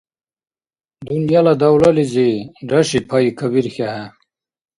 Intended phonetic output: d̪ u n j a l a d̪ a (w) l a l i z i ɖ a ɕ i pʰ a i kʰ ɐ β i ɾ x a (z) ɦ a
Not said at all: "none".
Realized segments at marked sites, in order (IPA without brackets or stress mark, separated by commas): w, none